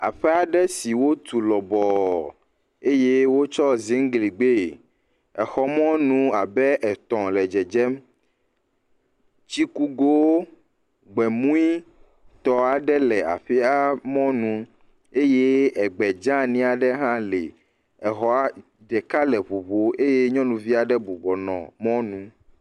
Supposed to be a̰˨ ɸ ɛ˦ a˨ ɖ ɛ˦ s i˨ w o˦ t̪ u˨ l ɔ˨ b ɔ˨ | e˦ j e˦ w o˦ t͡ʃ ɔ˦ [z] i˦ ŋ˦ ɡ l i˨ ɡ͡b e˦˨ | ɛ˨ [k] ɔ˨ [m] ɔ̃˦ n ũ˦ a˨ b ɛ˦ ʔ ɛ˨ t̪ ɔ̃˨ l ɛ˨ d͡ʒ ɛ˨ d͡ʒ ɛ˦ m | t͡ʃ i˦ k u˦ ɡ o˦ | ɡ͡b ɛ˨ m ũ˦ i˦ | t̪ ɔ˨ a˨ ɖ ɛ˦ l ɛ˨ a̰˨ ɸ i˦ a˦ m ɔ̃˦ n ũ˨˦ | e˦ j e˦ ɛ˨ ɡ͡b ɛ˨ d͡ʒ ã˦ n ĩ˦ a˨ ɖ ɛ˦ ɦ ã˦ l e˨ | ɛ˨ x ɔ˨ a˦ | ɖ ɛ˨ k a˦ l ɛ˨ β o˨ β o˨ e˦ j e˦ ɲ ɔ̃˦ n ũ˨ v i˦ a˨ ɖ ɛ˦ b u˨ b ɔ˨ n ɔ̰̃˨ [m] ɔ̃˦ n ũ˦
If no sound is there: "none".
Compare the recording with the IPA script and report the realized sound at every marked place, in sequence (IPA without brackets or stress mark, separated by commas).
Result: z, x, m, m